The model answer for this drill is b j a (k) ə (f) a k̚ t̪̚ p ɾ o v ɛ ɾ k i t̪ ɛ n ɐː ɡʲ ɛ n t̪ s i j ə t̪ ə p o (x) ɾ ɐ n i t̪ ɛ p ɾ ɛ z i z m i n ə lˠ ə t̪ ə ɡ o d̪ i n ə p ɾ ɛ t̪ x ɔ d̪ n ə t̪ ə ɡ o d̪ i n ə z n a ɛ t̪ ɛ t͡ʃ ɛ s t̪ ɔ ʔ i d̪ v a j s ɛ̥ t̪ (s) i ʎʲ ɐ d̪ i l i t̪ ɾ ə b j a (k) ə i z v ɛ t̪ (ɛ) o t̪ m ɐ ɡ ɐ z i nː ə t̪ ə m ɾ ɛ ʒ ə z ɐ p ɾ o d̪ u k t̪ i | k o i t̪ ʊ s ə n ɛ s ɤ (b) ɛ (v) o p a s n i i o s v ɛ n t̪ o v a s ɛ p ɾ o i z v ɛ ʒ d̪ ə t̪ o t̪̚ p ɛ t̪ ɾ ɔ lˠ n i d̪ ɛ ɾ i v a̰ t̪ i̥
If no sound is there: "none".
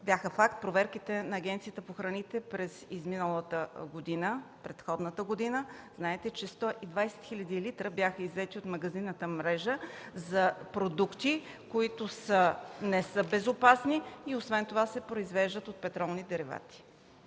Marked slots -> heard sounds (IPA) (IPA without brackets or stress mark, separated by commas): x, f, x, x, x, i, b, z